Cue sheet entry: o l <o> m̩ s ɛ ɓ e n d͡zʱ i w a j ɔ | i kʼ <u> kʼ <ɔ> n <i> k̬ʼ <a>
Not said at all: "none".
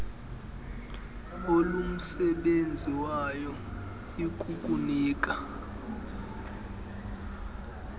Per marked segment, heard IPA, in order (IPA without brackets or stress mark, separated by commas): u, u, u, iː, a